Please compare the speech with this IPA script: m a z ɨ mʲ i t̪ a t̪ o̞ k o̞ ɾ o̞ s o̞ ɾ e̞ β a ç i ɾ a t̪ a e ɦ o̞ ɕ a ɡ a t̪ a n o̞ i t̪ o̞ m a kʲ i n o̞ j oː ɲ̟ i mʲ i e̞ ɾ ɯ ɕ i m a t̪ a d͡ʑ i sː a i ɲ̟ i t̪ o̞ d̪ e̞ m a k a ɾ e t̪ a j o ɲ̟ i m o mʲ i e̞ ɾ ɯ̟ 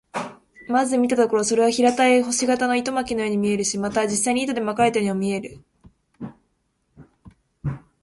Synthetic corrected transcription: m a z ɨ mʲ i t̪ a t̪ o̞ k o̞ ɾ o̞ s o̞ ɾ e̞ β a ç i ɾ a t̪ a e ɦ o̞ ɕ i ɡ a t̪ a n o̞ i t̪ o̞ m a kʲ i n o̞ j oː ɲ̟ i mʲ i e̞ ɾ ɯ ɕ i m a t̪ a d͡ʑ i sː a i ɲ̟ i t̪ o̞ d̪ e̞ m a k a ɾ e t̪ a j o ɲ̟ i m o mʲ i e̞ ɾ ɯ̟